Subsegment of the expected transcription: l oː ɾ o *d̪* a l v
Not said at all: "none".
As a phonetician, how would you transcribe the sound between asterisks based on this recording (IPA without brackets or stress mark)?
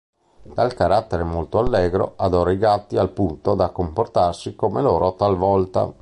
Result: t̪